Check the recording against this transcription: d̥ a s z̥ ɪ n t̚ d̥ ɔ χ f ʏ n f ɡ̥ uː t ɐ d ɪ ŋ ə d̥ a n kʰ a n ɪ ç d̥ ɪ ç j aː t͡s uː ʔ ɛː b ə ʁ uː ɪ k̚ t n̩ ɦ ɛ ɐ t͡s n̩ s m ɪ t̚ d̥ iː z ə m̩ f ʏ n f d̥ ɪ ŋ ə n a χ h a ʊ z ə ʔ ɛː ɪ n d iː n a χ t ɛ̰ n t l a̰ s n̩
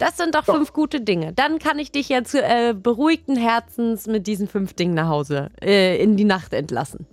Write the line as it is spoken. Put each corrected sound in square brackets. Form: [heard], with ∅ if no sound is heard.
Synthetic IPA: d̥ a s z̥ ɪ n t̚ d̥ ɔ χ f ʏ n f ɡ̥ uː t [ə] d ɪ ŋ ə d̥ a n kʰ a n ɪ ç d̥ ɪ ç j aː t͡s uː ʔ ɛː b ə ʁ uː ɪ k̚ t n̩ ɦ ɛ ɐ t͡s n̩ s m ɪ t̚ d̥ iː z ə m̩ f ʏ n f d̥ ɪ ŋ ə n a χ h a ʊ z ə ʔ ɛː ɪ n d iː n a χ t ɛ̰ n t l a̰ s n̩